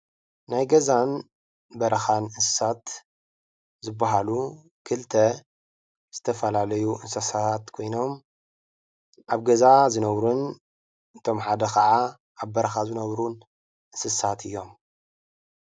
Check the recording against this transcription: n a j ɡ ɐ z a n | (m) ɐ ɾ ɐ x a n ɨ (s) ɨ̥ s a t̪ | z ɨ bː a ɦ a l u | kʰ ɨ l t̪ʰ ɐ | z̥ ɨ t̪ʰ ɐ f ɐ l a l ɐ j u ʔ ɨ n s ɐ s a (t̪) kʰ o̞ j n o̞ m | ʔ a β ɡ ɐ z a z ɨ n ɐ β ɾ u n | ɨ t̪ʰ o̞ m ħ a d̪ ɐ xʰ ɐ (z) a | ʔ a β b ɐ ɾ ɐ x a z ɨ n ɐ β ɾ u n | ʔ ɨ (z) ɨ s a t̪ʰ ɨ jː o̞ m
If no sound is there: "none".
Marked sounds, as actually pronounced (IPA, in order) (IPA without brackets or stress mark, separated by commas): b, s, t̪, ʕ, s